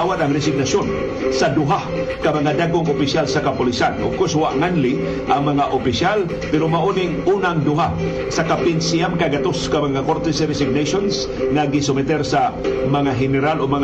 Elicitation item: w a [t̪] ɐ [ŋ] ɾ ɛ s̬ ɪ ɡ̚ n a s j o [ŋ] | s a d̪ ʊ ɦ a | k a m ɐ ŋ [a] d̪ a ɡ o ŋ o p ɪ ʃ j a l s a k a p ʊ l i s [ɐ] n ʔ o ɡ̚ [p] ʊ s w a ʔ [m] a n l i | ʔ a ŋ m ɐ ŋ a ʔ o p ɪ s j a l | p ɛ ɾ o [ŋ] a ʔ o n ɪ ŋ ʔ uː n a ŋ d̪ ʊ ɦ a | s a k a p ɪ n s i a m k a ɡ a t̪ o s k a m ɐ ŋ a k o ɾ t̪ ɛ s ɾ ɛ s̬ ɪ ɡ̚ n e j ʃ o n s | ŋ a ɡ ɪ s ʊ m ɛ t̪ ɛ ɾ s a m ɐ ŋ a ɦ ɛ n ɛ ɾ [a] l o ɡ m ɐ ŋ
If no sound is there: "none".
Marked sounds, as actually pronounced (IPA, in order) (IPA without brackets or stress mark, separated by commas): t̪, ŋ, n, a, a, k, ŋ, m, a